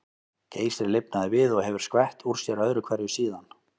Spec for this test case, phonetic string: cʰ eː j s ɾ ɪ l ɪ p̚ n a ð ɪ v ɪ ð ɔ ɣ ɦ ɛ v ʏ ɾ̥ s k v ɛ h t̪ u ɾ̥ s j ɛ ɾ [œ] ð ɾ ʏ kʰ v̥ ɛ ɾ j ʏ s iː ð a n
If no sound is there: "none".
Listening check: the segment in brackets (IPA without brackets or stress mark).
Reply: œ